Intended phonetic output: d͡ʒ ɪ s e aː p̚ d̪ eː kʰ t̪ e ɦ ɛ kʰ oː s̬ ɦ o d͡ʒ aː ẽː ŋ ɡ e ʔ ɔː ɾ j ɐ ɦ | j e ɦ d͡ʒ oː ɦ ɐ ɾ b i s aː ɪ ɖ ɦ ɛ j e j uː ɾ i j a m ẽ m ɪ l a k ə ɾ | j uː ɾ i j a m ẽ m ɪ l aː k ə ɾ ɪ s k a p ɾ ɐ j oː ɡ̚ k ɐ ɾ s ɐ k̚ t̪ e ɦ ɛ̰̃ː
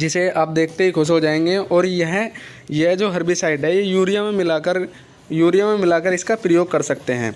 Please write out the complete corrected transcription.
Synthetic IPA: d͡ʒ ɪ s e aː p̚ d̪ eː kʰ t̪ e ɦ i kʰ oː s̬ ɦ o d͡ʒ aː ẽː ŋ ɡ e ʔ ɔː ɾ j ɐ ɦ | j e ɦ d͡ʒ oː ɦ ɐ ɾ b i s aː ɪ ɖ ɦ ɛ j e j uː ɾ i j a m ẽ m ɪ l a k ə ɾ | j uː ɾ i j a m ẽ m ɪ l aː k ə ɾ ɪ s k a p ɾ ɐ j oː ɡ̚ k ɐ ɾ s ɐ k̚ t̪ e ɦ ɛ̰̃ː